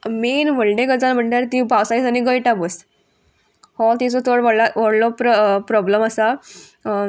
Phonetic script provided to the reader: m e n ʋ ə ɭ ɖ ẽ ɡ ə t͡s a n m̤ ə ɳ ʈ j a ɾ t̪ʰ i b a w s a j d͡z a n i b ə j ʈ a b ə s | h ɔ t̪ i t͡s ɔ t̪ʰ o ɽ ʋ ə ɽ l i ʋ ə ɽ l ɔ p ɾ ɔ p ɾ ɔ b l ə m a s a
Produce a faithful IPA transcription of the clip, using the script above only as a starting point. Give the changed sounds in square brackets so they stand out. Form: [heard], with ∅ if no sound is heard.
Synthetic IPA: m e n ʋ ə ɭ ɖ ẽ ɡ ə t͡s a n m̤ ə ɳ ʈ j a ɾ [t̪] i b a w s a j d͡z a n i [ɡ] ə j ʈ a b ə s | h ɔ t̪ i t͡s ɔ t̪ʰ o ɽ ʋ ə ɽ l [a] ʋ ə ɽ l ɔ p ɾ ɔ p ɾ ɔ b l ə m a s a